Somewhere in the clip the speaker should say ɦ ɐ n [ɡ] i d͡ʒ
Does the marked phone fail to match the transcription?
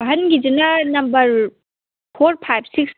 no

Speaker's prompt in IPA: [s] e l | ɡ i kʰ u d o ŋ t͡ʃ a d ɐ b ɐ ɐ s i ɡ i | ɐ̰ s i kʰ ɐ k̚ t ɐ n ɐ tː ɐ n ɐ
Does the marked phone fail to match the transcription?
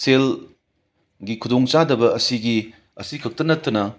no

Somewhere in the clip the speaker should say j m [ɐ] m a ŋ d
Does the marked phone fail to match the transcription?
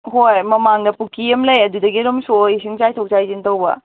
no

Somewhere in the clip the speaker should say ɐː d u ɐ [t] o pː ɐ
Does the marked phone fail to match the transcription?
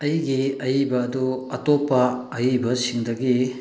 no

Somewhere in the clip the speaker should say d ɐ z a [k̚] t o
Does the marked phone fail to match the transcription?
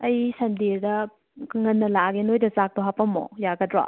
no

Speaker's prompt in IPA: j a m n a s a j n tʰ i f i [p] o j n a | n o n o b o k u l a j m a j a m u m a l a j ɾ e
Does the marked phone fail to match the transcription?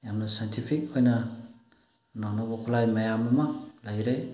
yes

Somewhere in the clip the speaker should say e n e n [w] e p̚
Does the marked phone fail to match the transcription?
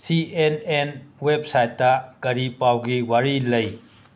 no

